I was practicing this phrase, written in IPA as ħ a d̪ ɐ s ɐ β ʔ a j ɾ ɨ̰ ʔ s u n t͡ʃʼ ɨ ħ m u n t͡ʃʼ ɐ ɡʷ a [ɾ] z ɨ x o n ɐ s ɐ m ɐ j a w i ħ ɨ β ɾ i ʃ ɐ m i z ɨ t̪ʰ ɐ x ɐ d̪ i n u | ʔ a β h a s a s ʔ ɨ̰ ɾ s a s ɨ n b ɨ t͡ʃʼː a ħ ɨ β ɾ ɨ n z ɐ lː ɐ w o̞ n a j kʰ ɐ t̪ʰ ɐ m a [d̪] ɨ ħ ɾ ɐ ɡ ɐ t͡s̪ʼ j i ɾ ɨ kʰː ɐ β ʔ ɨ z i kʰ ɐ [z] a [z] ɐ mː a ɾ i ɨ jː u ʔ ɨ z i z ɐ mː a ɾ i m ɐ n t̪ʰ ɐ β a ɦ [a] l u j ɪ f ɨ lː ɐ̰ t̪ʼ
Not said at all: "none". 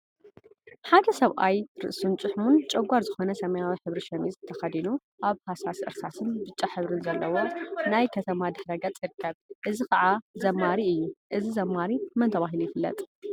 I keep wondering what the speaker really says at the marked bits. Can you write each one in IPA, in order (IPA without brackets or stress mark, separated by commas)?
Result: ɾ, d̪, ʕ, z, i